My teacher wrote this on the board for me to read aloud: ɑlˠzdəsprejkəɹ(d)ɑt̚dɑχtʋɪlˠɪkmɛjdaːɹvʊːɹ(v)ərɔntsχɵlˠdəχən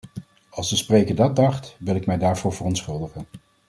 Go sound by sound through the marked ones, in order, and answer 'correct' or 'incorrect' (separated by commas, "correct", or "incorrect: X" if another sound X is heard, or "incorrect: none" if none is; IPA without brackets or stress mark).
correct, correct